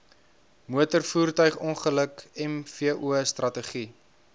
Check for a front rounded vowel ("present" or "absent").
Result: present